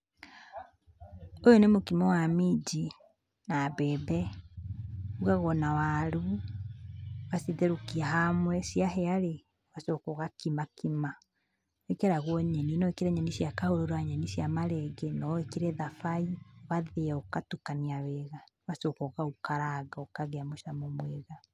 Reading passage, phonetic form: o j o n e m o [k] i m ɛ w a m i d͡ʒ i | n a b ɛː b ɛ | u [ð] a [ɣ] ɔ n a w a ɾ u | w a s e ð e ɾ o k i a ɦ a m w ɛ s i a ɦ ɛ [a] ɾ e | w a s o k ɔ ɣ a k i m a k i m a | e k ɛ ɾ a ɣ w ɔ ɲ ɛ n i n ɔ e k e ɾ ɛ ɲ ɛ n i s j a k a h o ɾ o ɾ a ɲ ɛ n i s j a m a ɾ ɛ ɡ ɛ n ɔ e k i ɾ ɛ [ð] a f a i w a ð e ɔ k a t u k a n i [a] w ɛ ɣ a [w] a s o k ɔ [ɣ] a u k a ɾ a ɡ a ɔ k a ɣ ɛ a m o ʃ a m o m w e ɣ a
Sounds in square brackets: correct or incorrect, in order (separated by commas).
correct, incorrect, correct, correct, correct, correct, correct, correct